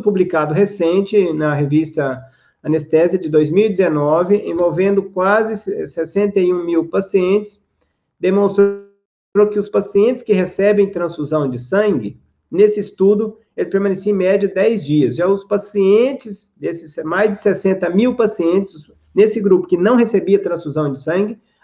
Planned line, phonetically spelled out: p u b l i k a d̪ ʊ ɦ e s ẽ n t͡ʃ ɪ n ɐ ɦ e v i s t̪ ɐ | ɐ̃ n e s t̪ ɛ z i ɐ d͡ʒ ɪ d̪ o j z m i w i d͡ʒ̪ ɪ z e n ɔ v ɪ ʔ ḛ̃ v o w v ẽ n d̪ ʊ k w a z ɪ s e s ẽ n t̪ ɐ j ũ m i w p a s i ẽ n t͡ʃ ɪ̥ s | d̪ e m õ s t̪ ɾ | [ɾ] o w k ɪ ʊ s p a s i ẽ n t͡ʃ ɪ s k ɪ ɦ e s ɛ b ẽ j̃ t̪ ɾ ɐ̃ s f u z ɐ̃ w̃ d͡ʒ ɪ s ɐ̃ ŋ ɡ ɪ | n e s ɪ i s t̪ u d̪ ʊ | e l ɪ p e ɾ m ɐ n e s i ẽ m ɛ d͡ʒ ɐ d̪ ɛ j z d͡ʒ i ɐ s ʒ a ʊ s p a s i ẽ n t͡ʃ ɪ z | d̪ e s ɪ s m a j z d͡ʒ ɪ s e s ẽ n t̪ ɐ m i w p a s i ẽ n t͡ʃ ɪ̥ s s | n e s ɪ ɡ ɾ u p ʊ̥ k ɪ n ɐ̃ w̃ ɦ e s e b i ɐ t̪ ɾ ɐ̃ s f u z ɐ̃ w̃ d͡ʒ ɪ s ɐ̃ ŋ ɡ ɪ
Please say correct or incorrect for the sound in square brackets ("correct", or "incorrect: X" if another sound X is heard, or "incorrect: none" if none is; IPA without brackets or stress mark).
correct